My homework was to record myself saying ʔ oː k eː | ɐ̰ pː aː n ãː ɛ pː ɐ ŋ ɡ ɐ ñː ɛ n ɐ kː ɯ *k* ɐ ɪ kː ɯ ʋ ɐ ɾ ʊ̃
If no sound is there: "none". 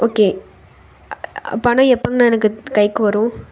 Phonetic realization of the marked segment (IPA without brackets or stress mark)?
k